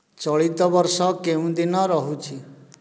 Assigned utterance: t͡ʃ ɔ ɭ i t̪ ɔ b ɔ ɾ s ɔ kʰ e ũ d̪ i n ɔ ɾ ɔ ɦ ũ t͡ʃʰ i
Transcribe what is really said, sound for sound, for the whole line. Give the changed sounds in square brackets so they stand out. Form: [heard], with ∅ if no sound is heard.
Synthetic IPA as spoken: t͡ʃ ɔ ɭ i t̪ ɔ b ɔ ɾ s ɔ [k] e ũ d̪ i n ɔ ɾ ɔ ɦ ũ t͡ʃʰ i

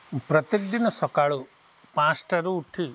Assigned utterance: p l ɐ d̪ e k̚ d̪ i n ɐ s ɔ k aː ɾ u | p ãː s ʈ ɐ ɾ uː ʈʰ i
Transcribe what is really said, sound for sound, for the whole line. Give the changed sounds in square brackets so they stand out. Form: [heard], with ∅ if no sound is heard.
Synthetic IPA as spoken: p [ɾ] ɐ [t̪] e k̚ d̪ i n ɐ s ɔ k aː [ɭ] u | p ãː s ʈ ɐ ɾ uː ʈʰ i

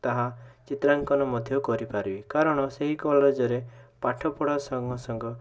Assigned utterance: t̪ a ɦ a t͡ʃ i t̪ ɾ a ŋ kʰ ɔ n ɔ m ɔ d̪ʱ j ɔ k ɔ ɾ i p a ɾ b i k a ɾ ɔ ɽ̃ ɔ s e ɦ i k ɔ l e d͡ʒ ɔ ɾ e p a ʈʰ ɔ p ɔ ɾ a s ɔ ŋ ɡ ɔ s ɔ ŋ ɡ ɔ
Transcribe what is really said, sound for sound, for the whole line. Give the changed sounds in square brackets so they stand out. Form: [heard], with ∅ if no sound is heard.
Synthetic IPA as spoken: t̪ a ɦ a t͡ʃ i t̪ ɾ a ŋ [k] ɔ n ɔ m ɔ d̪ʱ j ɔ k ɔ ɾ i p a ɾ b i k a ɾ ɔ ɽ̃ ɔ s e ɦ i k ɔ l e d͡ʒ ɔ ɾ e p a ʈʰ ɔ p ɔ [ɽ] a s ɔ ŋ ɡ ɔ s ɔ ŋ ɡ ɔ

